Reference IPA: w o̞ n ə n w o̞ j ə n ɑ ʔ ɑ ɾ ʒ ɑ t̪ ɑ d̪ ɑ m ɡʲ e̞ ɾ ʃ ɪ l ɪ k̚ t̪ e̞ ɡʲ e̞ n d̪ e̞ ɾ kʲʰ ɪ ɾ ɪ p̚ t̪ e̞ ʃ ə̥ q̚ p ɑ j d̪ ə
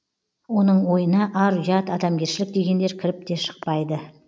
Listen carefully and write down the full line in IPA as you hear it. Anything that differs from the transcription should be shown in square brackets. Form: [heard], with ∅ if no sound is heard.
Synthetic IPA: w o̞ n ə [ɴ] w o̞ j ə n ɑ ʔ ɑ ɾ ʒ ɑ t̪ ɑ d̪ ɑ m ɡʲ e̞ ɾ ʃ ɪ l ɪ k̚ [d̪] e̞ ɡʲ e̞ n d̪ e̞ ɾ kʲʰ ɪ ɾ ɪ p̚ t̪ e̞ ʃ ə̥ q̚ p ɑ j d̪ ə